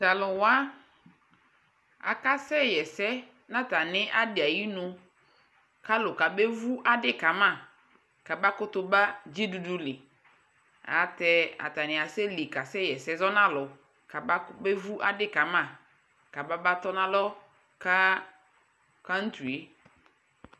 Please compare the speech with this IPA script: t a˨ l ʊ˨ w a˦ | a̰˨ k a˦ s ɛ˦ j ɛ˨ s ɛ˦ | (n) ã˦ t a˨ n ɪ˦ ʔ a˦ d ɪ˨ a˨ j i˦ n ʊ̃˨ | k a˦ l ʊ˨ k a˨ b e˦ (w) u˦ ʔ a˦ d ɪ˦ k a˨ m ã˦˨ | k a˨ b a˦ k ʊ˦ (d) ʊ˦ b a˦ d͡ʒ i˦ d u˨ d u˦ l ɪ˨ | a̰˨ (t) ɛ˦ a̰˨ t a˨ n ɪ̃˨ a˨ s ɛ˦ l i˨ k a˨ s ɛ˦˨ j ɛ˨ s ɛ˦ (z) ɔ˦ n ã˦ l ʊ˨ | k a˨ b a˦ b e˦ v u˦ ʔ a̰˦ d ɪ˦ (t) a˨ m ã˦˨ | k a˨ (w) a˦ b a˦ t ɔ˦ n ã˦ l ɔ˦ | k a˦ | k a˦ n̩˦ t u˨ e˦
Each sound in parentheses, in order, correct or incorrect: correct, incorrect: v, incorrect: t, correct, correct, incorrect: k, incorrect: b

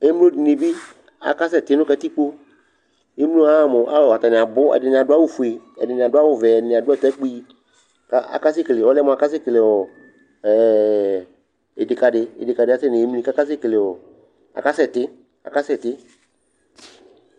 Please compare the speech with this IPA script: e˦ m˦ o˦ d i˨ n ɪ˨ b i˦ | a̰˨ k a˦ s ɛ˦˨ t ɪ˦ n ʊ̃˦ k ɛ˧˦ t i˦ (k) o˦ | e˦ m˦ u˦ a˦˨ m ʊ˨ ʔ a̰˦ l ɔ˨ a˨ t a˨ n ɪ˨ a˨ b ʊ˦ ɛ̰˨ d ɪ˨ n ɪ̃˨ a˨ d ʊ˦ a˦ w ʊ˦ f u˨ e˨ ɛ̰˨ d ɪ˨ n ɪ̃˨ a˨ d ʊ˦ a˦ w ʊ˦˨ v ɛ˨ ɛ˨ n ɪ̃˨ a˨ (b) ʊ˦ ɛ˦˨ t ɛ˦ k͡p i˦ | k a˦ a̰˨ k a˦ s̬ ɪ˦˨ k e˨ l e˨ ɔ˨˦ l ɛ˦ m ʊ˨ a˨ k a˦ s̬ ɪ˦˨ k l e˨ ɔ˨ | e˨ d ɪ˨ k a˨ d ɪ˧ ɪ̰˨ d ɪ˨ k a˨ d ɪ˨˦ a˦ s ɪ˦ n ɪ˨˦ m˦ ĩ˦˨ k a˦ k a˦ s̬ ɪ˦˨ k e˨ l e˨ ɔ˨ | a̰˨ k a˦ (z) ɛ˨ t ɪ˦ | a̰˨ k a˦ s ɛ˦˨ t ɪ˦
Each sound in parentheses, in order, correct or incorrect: incorrect: k͡p, incorrect: d, incorrect: s

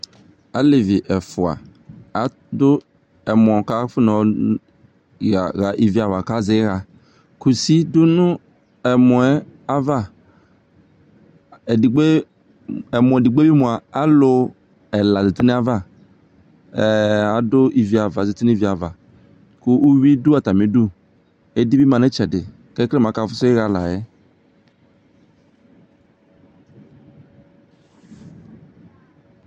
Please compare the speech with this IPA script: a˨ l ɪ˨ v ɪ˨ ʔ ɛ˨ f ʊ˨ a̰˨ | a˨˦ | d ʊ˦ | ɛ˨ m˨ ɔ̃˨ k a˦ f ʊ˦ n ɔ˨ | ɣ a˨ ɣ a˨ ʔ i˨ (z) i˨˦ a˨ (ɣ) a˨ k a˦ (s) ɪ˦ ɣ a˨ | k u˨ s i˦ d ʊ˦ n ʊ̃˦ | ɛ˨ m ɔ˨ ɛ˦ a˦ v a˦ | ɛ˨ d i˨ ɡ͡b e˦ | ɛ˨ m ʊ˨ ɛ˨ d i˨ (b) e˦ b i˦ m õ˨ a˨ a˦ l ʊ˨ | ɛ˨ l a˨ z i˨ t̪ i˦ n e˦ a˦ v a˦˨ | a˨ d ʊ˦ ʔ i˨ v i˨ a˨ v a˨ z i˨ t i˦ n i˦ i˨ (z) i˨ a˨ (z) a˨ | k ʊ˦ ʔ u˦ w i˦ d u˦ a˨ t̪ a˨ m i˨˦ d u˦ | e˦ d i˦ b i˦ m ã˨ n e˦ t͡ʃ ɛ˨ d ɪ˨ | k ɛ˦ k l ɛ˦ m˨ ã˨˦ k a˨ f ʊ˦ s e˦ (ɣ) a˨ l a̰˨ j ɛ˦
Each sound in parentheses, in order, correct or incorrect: incorrect: v, incorrect: v, incorrect: z, incorrect: ɡ͡b, incorrect: v, incorrect: v, correct

